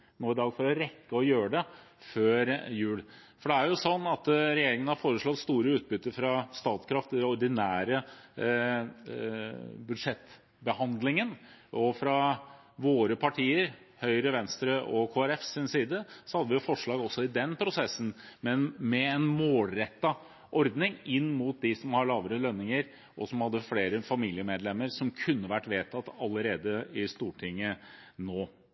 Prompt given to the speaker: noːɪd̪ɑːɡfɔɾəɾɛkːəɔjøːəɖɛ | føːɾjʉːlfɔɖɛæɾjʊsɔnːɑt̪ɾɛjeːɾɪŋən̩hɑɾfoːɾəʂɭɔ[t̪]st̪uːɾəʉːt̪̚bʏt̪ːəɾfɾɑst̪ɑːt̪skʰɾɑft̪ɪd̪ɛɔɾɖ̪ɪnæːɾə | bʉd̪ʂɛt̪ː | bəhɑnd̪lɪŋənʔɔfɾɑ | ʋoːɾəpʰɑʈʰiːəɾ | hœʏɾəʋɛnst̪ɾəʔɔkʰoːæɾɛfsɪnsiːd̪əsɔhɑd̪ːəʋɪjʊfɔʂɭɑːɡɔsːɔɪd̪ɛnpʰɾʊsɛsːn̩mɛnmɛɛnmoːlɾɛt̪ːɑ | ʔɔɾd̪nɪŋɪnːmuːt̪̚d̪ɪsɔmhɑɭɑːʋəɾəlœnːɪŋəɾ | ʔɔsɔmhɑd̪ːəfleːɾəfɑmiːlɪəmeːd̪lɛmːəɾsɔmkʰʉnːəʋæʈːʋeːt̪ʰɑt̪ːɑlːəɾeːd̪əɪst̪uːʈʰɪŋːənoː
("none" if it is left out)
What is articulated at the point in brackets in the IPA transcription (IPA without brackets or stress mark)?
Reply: t̪